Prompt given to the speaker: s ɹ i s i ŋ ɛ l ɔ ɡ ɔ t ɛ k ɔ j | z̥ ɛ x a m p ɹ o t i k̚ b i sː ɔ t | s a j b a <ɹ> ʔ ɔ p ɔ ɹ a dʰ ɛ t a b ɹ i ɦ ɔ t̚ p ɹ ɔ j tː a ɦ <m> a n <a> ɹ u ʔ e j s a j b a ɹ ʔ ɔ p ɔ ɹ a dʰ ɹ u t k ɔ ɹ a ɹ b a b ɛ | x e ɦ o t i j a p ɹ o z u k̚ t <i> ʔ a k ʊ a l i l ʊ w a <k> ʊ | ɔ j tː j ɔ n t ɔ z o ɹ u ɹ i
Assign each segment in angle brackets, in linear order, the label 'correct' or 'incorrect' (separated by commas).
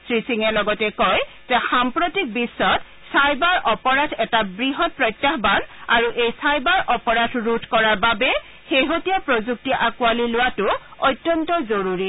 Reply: correct, incorrect, correct, correct, incorrect